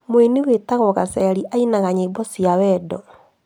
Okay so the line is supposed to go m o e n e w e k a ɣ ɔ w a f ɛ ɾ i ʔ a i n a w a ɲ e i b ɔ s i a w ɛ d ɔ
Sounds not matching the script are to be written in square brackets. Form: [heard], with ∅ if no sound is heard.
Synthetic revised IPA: m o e n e w e [t] a ɣ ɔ [ɣ] a [s] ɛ ɾ i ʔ a i n a [ɣ] a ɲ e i b ɔ s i a w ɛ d ɔ